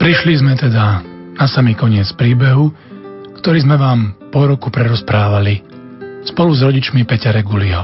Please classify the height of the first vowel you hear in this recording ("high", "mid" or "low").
high